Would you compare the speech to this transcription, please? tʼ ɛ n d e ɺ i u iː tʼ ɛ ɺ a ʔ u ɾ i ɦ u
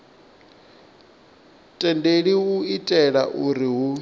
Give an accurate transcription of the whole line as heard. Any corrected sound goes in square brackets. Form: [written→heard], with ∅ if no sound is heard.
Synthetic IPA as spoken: tʼ ɛ n d e ɺ i u [iː→i] tʼ ɛ ɺ a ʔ u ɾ i ɦ u